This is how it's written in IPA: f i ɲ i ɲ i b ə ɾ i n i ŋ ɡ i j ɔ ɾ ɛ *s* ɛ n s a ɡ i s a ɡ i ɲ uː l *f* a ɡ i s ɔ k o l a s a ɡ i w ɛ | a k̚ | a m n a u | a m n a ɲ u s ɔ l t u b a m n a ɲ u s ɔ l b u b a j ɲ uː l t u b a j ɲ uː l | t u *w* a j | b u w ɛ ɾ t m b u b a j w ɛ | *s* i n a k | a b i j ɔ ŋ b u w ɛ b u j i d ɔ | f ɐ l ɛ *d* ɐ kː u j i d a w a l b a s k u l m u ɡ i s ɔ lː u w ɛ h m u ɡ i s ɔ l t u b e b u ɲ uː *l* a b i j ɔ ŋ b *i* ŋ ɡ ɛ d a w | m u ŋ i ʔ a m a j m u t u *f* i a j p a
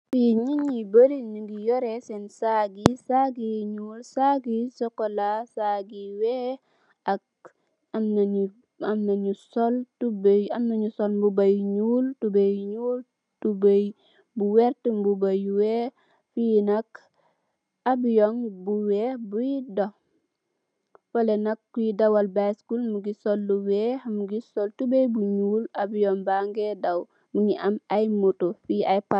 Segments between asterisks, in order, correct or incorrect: correct, incorrect: s, incorrect: b, incorrect: f, incorrect: n, correct, incorrect: a, correct

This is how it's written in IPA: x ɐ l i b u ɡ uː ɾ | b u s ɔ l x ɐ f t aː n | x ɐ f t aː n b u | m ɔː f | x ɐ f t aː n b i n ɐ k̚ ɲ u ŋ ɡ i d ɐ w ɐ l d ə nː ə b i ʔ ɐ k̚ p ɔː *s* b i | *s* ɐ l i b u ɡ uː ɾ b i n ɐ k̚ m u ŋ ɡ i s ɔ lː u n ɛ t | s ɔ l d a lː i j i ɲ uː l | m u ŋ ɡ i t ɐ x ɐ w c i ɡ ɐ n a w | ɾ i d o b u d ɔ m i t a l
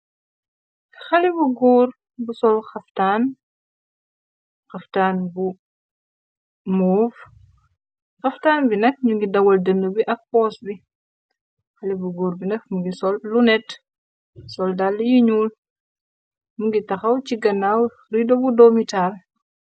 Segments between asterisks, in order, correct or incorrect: correct, incorrect: x

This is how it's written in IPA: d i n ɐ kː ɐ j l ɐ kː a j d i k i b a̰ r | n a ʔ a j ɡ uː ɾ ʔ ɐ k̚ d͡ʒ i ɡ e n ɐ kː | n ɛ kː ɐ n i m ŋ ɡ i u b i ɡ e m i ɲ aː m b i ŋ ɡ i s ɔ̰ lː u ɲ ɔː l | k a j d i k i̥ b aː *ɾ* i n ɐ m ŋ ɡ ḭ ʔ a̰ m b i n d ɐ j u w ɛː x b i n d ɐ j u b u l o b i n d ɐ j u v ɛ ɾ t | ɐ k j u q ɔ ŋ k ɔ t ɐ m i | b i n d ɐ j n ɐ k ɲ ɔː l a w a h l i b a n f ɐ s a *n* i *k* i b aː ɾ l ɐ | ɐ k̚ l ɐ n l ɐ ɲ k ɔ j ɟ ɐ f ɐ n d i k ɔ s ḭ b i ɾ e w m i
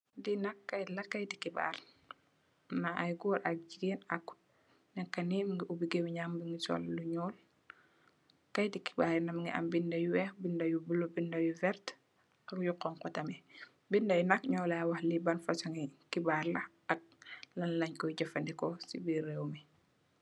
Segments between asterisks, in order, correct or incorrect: correct, incorrect: ŋ, correct

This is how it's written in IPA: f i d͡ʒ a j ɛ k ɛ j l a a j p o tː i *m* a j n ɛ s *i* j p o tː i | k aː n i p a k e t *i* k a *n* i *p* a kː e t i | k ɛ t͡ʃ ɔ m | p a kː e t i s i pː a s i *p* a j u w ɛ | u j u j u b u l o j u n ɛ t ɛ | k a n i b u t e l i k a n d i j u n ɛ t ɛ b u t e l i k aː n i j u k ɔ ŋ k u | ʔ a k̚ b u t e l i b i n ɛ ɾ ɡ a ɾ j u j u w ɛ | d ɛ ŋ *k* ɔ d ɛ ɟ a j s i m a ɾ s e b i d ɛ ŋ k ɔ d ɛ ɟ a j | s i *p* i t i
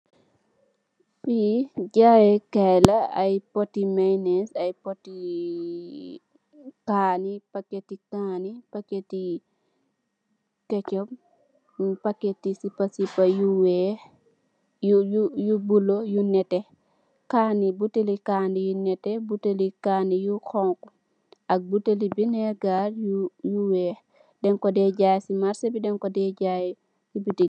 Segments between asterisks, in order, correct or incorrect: correct, incorrect: a, correct, correct, correct, correct, correct, incorrect: b

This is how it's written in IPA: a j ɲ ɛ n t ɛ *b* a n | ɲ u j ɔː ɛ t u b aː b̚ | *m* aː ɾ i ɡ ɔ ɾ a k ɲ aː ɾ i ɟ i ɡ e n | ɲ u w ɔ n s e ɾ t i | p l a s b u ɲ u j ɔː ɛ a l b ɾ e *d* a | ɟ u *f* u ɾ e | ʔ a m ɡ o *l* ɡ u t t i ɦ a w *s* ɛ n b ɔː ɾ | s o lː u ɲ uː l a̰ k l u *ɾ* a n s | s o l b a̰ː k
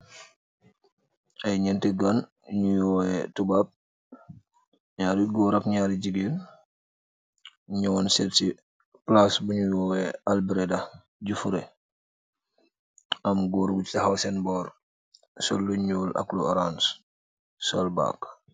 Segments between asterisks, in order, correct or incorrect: incorrect: ɡ, incorrect: ɲ, correct, correct, incorrect: ɾ, correct, correct

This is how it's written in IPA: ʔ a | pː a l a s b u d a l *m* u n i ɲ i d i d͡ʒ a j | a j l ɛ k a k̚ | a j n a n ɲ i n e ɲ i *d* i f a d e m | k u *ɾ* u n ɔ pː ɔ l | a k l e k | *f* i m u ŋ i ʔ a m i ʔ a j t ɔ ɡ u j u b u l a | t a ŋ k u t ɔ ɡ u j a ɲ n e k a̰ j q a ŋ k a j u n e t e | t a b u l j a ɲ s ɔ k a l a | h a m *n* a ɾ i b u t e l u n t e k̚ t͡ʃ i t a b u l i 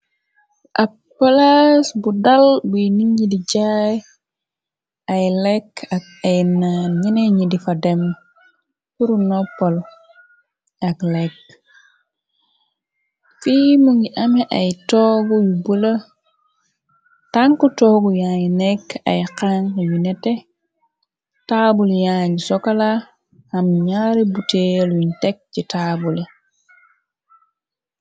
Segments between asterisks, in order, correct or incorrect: incorrect: b, correct, correct, correct, incorrect: ɲ

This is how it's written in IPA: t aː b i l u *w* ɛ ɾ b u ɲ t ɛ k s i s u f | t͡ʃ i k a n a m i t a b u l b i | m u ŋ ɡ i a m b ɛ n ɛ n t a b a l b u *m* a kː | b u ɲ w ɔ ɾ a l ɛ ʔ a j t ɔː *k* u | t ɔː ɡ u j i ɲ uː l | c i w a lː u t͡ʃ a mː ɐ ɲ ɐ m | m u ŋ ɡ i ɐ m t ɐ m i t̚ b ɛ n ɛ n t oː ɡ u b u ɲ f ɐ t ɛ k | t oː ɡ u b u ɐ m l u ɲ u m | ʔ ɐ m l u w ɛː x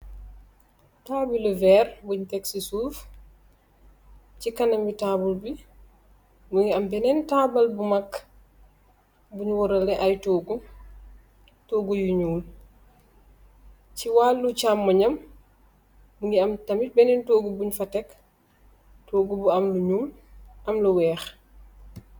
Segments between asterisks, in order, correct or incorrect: incorrect: v, correct, incorrect: ɡ

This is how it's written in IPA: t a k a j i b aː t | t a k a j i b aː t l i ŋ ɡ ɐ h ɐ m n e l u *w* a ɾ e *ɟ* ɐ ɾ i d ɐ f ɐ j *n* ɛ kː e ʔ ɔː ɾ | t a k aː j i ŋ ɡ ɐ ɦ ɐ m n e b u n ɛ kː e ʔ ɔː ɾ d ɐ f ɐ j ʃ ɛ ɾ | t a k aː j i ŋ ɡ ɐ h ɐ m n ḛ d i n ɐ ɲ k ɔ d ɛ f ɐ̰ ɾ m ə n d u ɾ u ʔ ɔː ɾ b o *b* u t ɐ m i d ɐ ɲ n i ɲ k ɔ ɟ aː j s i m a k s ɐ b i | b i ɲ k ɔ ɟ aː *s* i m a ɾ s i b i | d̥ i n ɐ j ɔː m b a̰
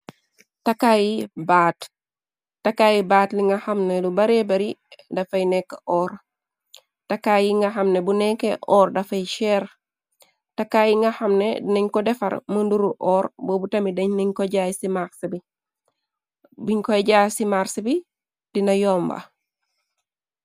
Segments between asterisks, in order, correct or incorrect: incorrect: b, incorrect: b, correct, correct, correct

